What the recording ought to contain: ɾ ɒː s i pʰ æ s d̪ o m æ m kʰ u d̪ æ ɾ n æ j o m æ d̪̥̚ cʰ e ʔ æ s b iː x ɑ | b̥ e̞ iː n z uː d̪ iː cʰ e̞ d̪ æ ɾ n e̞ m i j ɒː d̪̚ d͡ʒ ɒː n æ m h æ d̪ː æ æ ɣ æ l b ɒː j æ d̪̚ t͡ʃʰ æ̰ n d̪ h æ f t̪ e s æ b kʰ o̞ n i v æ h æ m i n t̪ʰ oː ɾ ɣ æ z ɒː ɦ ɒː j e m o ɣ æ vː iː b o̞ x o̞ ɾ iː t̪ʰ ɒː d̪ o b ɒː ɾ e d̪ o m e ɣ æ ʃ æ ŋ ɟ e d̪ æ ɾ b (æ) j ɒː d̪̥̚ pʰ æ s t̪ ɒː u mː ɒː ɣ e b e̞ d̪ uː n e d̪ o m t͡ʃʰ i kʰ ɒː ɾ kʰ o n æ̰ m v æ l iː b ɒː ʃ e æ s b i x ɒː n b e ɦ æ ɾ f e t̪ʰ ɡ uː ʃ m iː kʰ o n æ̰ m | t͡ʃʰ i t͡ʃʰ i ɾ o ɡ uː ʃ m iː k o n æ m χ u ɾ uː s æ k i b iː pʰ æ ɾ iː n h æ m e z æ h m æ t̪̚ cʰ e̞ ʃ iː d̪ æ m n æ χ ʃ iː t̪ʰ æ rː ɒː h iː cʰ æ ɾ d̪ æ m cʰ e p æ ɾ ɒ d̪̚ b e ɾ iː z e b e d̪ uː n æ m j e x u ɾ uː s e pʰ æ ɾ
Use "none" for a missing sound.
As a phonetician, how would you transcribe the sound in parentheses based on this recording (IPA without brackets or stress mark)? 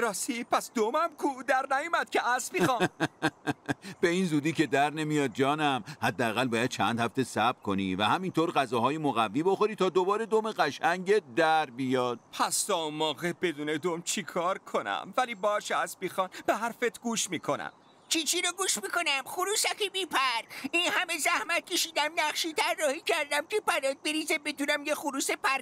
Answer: i